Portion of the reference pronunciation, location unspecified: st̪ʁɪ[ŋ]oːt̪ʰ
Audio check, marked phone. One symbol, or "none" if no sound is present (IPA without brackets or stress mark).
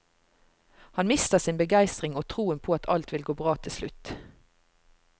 ŋ